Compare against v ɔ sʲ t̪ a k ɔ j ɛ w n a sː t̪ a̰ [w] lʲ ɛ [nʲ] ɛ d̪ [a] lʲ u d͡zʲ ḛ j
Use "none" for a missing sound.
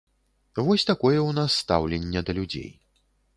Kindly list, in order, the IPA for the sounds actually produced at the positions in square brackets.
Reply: w, nʲː, ɐ

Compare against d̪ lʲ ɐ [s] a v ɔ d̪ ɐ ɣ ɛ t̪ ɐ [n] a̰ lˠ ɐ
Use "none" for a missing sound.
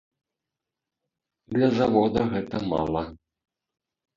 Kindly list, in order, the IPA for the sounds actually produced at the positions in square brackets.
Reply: z, m

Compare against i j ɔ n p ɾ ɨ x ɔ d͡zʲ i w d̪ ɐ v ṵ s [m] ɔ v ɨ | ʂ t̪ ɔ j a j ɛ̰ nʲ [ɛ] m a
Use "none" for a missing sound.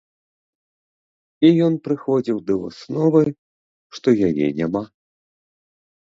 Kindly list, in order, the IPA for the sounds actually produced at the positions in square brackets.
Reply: n, a

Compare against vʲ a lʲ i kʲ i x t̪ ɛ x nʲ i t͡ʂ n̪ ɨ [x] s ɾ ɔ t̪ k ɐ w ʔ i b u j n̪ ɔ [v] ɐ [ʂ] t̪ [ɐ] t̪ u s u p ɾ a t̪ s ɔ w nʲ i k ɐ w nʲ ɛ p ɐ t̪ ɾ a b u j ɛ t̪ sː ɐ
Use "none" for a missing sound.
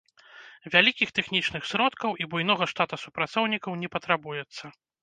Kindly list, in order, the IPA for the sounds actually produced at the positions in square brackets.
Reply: x, ɣ, ʂ, a

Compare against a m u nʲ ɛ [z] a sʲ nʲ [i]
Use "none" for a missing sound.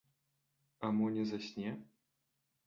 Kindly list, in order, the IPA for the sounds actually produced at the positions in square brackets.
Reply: z, ɛ

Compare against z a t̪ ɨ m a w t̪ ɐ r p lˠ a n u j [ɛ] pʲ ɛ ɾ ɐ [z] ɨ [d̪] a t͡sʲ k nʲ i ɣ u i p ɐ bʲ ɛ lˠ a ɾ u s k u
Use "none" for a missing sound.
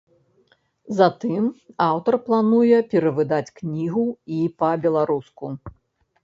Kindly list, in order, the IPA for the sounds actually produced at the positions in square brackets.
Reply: ɛ, v, d̪

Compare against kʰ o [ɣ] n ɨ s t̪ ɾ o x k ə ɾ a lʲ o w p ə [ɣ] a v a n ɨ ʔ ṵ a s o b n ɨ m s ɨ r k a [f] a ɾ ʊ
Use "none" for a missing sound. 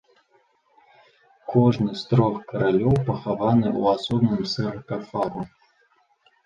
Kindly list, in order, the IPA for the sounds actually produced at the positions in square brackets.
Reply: ʐ, x, f

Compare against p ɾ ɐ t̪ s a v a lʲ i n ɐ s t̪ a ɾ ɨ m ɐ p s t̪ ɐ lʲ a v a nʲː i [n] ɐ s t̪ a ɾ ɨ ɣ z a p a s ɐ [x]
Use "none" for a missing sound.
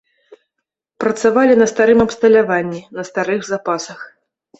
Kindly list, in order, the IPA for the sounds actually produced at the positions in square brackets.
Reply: n, x

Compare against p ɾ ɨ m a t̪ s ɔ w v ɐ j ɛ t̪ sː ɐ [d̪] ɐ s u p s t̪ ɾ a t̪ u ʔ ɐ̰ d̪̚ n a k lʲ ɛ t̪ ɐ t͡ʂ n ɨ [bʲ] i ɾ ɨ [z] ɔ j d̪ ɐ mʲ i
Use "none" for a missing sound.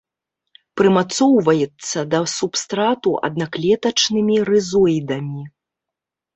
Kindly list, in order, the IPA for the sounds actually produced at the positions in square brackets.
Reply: d̪, mʲ, z

